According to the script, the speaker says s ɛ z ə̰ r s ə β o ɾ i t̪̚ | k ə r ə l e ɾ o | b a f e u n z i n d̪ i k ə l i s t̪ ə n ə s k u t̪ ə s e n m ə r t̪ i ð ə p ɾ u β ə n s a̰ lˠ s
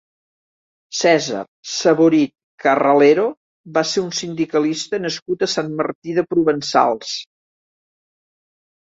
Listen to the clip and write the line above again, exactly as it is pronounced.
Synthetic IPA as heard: s ɛ z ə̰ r s ə β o ɾ i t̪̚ | k ə r ə l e ɾ o | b a s e u n s i n d̪ i k ə l i s t̪ ə n ə s k u t̪ ə s a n m ə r t̪ i ð ə p ɾ u β ə n s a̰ lˠ s